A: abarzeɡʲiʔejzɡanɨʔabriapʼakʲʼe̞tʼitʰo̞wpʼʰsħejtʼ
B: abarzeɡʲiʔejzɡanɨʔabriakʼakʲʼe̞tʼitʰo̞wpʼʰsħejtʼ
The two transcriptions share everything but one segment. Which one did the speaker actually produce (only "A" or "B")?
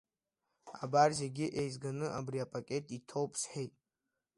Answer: A